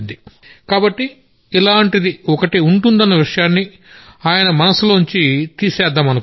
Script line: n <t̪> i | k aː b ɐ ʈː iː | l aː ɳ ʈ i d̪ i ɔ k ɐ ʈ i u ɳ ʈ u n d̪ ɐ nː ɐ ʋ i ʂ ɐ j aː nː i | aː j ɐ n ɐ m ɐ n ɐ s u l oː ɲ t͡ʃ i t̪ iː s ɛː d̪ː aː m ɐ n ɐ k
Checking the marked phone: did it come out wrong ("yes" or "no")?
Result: yes